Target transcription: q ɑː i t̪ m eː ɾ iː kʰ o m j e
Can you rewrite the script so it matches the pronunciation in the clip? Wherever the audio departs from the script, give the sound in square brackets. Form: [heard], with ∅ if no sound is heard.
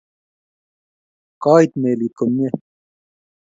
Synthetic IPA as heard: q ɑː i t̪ m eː [l] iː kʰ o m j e